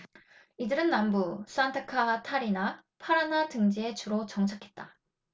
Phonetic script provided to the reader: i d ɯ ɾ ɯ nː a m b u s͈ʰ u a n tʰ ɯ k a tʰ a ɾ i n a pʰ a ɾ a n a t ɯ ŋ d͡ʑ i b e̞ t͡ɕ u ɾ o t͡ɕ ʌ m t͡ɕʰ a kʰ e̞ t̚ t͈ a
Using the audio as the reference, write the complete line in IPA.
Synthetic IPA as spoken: i d ɯ ɾ ɯ nː a m b u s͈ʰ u a n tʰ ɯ kʰ a tʰ a ɾ i n a pʰ a ɾ a n a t ɯ ŋ d͡ʑ i e̞ t͡ɕ u ɾ o t͡ɕ ʌ ŋ t͡ɕʰ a kʰ e̞ t̚ t͈ a

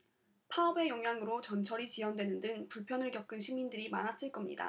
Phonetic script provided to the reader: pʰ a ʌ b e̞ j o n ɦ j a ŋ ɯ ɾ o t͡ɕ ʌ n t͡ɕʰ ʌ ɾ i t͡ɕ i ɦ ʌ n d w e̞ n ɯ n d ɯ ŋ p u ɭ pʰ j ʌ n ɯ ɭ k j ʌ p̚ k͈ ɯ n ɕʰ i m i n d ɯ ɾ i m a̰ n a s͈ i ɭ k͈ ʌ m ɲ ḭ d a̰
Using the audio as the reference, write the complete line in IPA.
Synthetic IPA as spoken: pʰ a ʌ b e̞ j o ŋ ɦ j a ŋ ɯ ɾ o t͡ɕ ʌ n t͡ɕʰ ʌ ɾ i t͡ɕ i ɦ ʌ n d w e̞ n ɯ n d ɯ ŋ p u ɭ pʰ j ʌ n ɯ ɭ k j ʌ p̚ k͈ ɯ n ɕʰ i m i n d ɯ ɾ i m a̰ n a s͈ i ɭ k͈ ʌ m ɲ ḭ d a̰

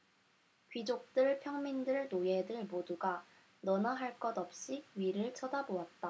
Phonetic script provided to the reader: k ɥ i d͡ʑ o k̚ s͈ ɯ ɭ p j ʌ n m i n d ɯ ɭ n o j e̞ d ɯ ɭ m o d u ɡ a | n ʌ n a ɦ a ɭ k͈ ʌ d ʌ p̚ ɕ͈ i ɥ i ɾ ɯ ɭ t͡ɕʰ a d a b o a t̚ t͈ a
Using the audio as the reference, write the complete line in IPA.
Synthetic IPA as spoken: k ɥ i d͡ʑ o k̚ t͈ ɯ ɭ pʰ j ʌ ŋ m i n d ɯ ɭ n o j e̞ d ɯ ɭ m o d u ɡ a | n ʌ n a ɦ a ɭ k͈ ʌ d ʌ p̚ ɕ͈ i ɥ i ɾ ɯ ɭ t͡ɕʰ ʌ d a b o a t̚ t͈ a

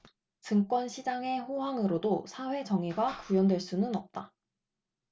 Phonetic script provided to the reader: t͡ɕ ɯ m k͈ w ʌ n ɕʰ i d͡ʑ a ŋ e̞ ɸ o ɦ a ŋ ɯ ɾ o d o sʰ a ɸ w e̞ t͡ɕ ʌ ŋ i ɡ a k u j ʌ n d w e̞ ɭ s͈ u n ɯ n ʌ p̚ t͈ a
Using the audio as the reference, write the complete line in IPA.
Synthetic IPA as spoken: t͡ɕ ɯ ŋ k͈ w ʌ n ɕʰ i d͡ʑ a ŋ e̞ ɸ o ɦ a ŋ ɯ ɾ o d o sʰ a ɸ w e̞ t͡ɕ ʌ ŋ i ɡ a k u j ʌ n d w e̞ ɭ s͈ u n ɯ n ʌ p̚ t͈ a

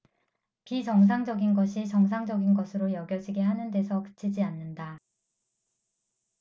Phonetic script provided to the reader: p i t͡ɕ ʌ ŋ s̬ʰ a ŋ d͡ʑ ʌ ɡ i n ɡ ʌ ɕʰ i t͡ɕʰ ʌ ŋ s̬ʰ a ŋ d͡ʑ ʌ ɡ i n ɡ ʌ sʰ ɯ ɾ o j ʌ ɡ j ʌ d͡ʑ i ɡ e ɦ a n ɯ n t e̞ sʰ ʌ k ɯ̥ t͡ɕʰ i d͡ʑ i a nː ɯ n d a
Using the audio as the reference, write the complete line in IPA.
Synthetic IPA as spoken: p i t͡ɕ ʌ ŋ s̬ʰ a ŋ d͡ʑ ʌ ɡ i n ɡ ʌ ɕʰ i t͡ɕ ʌ ŋ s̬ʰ a ŋ d͡ʑ ʌ ɡ i n ɡ ʌ sʰ ɯ ɾ o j ʌ ɡ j ʌ d͡ʑ i ɡ e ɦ a n ɯ n d e̞ sʰ ʌ k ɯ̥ t͡ɕʰ i d͡ʑ i a nː ɯ n d a

